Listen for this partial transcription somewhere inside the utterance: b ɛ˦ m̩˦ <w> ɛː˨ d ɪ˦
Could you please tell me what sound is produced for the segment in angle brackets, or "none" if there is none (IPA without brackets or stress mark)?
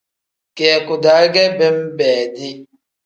b